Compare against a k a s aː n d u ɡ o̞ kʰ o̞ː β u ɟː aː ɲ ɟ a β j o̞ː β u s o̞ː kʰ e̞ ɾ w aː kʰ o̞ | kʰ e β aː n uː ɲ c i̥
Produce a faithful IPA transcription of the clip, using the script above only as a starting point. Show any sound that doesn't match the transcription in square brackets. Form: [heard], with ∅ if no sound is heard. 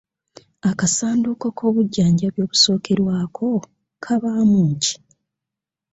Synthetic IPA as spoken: a k a s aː n d u [k] o̞ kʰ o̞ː β u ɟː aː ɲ ɟ a β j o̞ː β u s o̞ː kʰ e̞ ɾ w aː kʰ o̞ | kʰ [a] β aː [m] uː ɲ c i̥